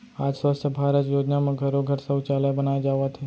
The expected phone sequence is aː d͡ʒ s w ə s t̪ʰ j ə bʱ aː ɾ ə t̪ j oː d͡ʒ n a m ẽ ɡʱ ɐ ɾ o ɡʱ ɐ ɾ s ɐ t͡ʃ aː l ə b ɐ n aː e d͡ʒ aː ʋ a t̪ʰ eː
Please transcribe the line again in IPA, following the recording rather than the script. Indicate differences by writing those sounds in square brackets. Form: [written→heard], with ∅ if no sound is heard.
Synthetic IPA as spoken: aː d͡ʒ s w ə s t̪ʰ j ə bʱ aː ɾ ə t̪ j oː d͡ʒ n a m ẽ ɡʱ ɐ ɾ o ɡʱ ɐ ɾ s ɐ t͡ʃ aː l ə b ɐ n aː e d͡ʒ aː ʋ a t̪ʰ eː